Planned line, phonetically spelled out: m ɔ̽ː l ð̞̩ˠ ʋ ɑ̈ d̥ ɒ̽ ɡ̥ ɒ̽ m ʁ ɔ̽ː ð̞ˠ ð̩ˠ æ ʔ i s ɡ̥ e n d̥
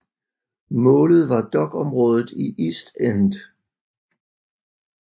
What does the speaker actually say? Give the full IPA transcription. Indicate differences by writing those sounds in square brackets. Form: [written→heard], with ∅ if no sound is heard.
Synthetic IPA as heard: m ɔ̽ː l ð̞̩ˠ ʋ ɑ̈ d̥ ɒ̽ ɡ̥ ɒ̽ m ʁ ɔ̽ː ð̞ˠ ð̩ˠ [æ→i] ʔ i s [ɡ̥→d̥] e n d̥

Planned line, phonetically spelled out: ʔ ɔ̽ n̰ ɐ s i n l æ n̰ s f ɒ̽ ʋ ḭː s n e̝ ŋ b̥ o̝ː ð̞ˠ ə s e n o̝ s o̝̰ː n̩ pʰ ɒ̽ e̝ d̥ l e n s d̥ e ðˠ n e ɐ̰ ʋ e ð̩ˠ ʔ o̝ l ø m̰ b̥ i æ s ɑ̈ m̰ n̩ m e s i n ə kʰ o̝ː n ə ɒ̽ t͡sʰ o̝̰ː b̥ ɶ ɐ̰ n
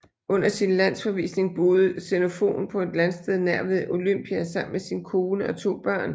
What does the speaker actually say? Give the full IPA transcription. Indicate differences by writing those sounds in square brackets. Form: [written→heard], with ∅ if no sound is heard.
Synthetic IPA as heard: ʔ ɔ̽ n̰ ɐ s i n l æ n̰ s f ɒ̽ ʋ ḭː s n e̝ ŋ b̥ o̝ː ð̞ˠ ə s e n o̝ [s→f] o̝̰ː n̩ pʰ ɒ̽ e̝ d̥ l [e→æ] n s d̥ e ðˠ n [e→æ] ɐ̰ ʋ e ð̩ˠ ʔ o̝ l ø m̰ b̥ i æ s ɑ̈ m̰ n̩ m e s i n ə kʰ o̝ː n ə ɒ̽ t͡sʰ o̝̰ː b̥ ɶ ɐ̰ n

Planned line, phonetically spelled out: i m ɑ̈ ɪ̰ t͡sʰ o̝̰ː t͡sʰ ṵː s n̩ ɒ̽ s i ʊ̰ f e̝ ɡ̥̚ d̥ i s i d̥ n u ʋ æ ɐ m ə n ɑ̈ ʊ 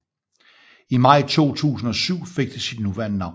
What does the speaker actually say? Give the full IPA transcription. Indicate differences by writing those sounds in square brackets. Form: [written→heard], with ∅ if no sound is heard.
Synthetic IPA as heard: i m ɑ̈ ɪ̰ t͡sʰ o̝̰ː t͡sʰ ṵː s n̩ ɒ̽ s [i→y] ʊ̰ f e̝ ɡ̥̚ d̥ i s i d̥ n u ʋ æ ɐ [m→n] ə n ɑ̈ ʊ

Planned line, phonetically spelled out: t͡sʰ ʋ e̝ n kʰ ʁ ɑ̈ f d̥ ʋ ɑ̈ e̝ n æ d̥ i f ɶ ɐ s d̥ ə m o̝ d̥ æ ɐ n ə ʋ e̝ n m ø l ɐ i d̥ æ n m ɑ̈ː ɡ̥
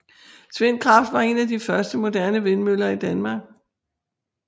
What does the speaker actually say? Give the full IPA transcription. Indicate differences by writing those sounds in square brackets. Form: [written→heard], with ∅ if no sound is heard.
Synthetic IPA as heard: t͡sʰ ʋ e̝ n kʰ ʁ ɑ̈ f d̥ ʋ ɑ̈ e̝ n æ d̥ i f ɶ ɐ s d̥ ə m o̝ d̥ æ ɐ n ə ʋ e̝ n m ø l ɐ i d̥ æ n m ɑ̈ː ɡ̥

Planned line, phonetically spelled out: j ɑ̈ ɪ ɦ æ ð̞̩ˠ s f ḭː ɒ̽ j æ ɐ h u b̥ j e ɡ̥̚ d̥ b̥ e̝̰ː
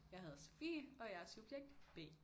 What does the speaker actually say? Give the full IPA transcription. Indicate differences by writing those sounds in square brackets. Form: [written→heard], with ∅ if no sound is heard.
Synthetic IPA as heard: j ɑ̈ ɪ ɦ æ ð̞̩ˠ s f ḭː ɒ̽ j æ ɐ [h→s] u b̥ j e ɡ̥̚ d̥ b̥ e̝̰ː

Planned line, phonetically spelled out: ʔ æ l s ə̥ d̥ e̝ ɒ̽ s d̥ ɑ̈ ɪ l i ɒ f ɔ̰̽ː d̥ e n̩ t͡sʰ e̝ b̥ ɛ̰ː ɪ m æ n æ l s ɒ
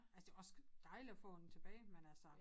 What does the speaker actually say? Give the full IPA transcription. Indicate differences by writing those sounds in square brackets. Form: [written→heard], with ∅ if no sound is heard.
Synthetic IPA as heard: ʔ æ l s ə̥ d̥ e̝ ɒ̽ s d̥ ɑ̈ ɪ l i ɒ f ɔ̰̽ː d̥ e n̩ t͡sʰ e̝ b̥ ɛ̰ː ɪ m [æ→e] n æ l s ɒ

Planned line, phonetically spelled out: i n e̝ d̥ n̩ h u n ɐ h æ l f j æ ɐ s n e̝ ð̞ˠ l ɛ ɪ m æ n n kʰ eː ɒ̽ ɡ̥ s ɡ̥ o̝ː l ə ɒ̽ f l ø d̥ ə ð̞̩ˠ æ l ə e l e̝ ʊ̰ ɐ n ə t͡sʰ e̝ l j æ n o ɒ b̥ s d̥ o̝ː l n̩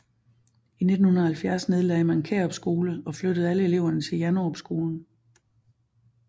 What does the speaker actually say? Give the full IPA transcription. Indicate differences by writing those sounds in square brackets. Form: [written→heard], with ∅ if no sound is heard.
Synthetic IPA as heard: i n e̝ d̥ n̩ h u n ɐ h æ l f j æ ɐ s n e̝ ð̞ˠ l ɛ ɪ m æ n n kʰ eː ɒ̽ [ɡ̥→b̥] s ɡ̥ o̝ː l ə ɒ̽ f l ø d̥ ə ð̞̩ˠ æ l ə e l e̝ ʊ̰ ɐ n ə t͡sʰ e̝ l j æ n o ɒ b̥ s [d̥→ɡ̥] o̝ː l n̩

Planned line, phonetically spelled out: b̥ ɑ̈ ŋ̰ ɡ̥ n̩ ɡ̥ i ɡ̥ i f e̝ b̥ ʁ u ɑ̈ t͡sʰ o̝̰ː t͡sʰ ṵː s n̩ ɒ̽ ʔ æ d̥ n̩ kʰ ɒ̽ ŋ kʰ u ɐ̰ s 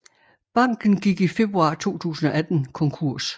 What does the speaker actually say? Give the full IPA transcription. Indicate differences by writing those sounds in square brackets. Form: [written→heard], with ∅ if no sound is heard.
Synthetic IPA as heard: b̥ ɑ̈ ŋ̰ ɡ̥ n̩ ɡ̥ i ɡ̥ i f e̝ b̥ ʁ u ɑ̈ t͡sʰ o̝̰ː t͡sʰ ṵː s n̩ ɒ̽ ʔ æ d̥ n̩ kʰ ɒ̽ ŋ kʰ u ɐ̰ s

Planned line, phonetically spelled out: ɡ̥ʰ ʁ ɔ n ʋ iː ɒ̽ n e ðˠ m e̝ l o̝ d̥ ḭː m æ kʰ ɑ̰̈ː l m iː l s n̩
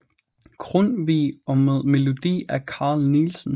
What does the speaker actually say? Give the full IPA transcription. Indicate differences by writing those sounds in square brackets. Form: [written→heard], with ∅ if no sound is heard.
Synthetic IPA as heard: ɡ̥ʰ ʁ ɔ n ʋ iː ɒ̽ [n→m] e ðˠ m e̝ l o̝ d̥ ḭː [m→∅] æ kʰ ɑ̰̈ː l [m→n] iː l s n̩

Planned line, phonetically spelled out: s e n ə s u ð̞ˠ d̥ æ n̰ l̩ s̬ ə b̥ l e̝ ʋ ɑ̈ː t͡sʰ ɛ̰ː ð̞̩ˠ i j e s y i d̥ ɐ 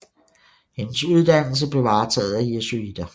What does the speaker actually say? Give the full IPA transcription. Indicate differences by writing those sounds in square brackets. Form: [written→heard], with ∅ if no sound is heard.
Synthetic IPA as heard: [s→h] e n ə s u ð̞ˠ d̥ æ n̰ l̩ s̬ ə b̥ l e̝ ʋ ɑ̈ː t͡sʰ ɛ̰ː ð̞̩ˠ [i→æ] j e s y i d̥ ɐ

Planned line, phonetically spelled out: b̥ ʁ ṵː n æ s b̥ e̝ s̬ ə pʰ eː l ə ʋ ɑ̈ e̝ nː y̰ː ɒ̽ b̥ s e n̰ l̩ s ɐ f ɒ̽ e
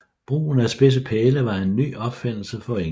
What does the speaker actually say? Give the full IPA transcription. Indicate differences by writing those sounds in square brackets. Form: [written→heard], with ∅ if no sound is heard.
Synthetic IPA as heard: b̥ ʁ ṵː n æ s b̥ e̝ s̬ ə pʰ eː l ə ʋ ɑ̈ e̝ nː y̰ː ɒ̽ b̥ [s→f] e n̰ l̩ s [ɐ→ə] f ɒ̽ e

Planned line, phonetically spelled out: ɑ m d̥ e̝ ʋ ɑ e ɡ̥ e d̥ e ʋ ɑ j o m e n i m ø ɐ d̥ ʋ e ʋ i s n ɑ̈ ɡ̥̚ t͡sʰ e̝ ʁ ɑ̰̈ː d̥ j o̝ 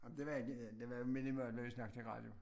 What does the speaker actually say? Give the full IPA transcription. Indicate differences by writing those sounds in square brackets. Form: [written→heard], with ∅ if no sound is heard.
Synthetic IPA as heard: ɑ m d̥ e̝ ʋ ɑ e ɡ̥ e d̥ e ʋ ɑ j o m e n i m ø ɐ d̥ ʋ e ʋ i s n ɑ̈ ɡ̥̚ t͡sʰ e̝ ʁ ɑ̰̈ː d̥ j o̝

